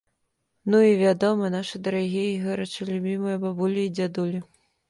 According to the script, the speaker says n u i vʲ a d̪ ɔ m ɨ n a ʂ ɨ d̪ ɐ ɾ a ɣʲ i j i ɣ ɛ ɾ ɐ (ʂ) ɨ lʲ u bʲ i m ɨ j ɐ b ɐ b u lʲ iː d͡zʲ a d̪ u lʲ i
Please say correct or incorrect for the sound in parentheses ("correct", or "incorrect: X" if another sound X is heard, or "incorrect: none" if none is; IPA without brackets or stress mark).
incorrect: t͡ʂ